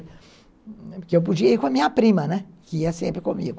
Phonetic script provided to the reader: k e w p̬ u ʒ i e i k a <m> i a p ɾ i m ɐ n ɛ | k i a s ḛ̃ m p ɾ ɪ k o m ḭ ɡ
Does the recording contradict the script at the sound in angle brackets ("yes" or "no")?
no